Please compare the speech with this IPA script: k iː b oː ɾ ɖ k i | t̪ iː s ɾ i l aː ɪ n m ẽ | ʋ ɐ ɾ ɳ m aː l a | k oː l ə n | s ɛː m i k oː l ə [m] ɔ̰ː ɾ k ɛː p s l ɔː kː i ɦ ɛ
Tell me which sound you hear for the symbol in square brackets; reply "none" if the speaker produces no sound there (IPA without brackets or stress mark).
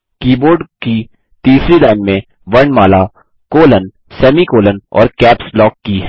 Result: n